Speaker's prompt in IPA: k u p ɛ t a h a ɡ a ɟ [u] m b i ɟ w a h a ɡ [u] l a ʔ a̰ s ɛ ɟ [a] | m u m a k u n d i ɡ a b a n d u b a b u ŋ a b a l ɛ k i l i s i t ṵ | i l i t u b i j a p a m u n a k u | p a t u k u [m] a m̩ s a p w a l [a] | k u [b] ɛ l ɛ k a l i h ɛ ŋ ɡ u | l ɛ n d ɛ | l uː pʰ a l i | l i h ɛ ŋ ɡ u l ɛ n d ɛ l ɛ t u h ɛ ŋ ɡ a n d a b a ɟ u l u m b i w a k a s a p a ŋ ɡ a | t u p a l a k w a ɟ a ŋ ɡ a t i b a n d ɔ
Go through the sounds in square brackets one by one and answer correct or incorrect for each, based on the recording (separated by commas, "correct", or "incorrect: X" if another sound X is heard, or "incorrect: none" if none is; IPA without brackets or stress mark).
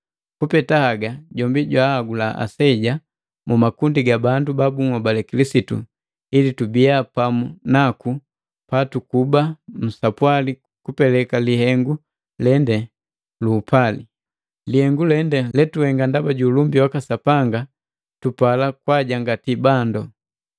incorrect: ɔ, correct, correct, incorrect: b, incorrect: i, incorrect: p